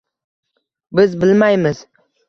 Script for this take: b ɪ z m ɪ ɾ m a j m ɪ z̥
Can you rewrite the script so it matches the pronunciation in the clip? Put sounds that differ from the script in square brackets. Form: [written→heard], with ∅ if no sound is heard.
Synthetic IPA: b ɪ z [m→b] ɪ [ɾ→l] m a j m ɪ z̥

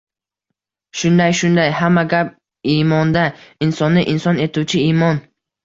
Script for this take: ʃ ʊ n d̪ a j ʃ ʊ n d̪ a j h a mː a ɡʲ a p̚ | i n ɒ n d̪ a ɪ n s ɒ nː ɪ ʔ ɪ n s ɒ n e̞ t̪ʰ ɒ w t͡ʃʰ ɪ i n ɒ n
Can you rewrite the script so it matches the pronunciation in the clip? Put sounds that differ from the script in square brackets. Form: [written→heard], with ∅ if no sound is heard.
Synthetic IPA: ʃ ʊ n d̪ a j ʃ ʊ n d̪ a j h a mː a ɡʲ a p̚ | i [n→m] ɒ n d̪ a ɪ n s ɒ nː ɪ ʔ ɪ n s ɒ n e̞ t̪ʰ [ɒ→u] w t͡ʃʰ ɪ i [n→m] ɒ n

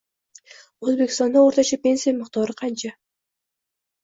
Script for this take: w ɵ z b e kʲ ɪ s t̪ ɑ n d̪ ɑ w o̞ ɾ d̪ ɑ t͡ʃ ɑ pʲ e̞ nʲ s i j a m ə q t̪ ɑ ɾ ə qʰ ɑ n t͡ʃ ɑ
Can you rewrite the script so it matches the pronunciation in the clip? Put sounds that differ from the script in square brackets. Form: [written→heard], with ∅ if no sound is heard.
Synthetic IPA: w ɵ z b e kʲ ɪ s t̪ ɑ n d̪ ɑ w o̞ ɾ [d̪→t̪] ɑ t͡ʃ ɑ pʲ e̞ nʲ s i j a m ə q t̪ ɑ ɾ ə qʰ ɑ n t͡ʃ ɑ

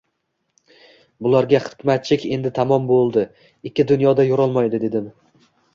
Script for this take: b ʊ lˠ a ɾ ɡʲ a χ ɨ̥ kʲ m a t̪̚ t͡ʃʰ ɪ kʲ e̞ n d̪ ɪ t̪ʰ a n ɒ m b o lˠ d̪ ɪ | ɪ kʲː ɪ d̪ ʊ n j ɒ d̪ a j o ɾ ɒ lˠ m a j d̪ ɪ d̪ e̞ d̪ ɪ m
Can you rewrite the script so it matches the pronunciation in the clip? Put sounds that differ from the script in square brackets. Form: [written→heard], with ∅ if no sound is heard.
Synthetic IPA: b ʊ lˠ a ɾ ɡʲ a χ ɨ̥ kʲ m a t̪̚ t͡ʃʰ ɪ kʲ e̞ n d̪ ɪ t̪ʰ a [n→m] ɒ m b o lˠ d̪ ɪ | ɪ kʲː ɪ d̪ ʊ n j ɒ d̪ a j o ɾ ɒ lˠ m a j d̪ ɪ d̪ e̞ d̪ ɪ m

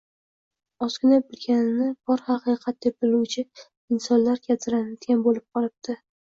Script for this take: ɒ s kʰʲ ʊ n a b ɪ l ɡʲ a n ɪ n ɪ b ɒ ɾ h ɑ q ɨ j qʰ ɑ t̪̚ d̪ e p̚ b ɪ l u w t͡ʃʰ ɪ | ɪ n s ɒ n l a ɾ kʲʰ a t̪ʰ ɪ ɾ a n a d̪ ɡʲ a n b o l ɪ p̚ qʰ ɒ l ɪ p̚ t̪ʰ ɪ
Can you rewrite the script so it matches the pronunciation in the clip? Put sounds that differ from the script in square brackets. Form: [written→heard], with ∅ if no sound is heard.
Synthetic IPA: ɒ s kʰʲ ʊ n a b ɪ l ɡʲ a n ɪ n ɪ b ɒ ɾ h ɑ q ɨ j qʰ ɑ t̪̚ d̪ e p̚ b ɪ l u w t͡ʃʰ ɪ | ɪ n s ɒ n l a ɾ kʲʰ a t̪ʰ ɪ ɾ a n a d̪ ɡʲ a n b o l ɪ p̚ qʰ ɒ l ɪ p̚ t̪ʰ ɪ

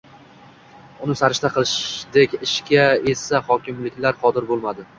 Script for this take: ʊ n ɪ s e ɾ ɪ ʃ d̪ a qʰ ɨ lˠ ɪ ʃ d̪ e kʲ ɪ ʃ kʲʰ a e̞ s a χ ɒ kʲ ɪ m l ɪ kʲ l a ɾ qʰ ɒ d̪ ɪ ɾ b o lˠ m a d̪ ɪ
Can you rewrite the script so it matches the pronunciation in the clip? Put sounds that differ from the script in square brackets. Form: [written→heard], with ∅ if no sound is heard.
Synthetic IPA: ʊ n ɪ s [e→a] ɾ ɪ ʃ [d̪→t̪] a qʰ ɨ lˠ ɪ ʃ d̪ e kʲ ɪ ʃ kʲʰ a e̞ s a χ ɒ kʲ ɪ m l ɪ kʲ l a ɾ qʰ ɒ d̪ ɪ ɾ b o lˠ m a d̪ ɪ

